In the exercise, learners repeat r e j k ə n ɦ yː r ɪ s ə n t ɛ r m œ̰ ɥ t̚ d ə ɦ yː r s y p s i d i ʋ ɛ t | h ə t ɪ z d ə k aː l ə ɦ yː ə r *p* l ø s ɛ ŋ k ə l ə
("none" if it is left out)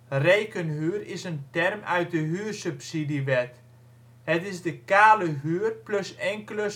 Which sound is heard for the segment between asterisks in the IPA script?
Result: p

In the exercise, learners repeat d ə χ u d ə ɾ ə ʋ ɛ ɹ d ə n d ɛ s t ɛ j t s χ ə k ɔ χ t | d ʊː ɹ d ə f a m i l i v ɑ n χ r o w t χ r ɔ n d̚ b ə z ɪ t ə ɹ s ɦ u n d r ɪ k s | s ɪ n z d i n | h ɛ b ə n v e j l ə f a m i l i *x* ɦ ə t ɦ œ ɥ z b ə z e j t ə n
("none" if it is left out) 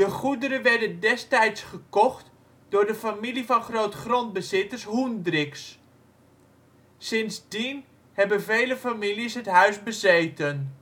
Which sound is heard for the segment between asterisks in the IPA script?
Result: s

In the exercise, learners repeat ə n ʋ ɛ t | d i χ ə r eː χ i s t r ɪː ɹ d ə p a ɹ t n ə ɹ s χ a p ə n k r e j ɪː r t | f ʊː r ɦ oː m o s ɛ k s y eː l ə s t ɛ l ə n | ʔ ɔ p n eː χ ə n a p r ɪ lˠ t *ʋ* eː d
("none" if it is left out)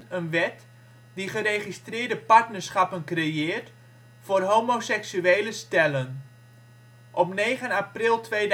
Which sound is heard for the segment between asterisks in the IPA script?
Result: ʋ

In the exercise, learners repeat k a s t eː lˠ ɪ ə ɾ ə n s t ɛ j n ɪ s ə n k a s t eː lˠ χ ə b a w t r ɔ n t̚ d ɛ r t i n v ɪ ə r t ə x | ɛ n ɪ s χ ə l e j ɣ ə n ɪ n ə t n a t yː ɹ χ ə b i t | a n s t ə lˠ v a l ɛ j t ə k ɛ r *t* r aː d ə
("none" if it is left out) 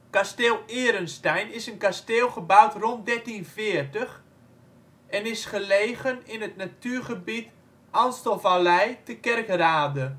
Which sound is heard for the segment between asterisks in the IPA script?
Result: k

